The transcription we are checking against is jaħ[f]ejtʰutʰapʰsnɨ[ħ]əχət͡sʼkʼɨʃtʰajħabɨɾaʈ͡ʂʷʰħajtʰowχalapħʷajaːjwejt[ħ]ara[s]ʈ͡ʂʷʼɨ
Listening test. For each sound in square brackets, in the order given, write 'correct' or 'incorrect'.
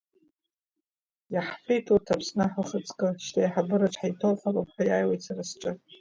correct, correct, incorrect: s, correct

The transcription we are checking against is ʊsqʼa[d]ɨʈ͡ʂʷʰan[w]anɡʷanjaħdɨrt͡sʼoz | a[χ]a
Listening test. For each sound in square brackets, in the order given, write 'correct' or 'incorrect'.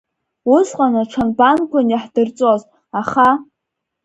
incorrect: n, incorrect: b, correct

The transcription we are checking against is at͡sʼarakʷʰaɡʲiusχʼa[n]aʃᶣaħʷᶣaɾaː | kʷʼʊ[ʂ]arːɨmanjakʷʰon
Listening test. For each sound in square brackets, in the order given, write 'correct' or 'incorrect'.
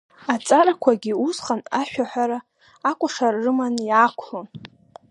correct, correct

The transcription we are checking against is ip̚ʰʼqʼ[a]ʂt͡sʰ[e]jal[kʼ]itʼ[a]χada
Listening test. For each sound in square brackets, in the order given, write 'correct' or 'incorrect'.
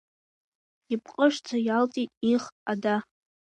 incorrect: ə, incorrect: a, incorrect: tʼ, incorrect: i

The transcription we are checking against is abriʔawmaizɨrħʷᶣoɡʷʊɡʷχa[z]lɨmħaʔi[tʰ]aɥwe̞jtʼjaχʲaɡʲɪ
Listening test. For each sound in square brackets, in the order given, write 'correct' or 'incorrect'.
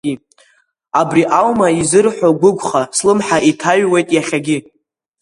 incorrect: s, correct

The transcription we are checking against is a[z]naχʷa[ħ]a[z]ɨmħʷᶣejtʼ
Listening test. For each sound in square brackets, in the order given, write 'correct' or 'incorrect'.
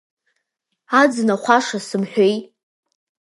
incorrect: d͡z, incorrect: ʂ, incorrect: s

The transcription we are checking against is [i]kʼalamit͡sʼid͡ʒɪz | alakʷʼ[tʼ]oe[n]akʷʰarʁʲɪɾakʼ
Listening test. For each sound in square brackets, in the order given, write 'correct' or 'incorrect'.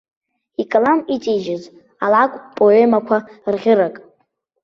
correct, incorrect: pʼ, incorrect: m

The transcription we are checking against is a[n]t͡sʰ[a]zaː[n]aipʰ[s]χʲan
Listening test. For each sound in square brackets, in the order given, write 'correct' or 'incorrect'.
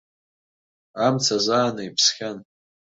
incorrect: m, correct, correct, correct

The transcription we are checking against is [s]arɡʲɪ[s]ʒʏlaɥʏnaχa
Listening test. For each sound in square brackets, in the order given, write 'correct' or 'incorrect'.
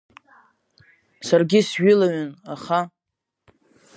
correct, correct

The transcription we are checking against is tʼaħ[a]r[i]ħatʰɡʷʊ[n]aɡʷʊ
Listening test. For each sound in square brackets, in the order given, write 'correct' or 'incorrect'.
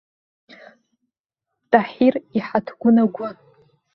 incorrect: i, correct, correct

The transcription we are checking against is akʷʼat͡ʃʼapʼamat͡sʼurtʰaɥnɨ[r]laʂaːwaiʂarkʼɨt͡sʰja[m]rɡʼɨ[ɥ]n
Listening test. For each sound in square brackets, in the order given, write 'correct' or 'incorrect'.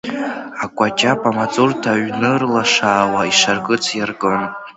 correct, incorrect: none, incorrect: none

